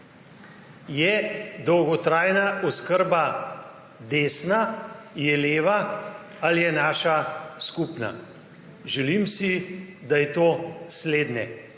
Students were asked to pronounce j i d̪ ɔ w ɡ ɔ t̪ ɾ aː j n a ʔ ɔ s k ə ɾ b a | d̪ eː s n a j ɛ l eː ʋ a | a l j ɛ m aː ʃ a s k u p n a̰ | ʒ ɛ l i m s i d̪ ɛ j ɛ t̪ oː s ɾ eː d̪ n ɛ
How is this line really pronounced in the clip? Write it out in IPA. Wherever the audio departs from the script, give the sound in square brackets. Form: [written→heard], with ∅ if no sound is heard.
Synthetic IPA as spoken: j [i→ɛ] d̪ ɔ w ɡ ɔ t̪ ɾ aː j n a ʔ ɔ s k ə ɾ b a | d̪ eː s n a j ɛ l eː ʋ a | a l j ɛ [m→n] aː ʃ a s k u p n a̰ | ʒ ɛ l i m s i d̪ [ɛ→a] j ɛ t̪ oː s [ɾ→l] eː d̪ n ɛ